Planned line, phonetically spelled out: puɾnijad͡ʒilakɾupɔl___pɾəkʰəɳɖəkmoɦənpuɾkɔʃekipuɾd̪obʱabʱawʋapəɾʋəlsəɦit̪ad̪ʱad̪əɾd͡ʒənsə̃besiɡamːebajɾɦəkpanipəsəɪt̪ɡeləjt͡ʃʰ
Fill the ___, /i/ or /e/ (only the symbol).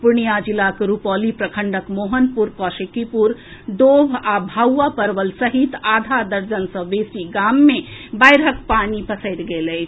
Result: i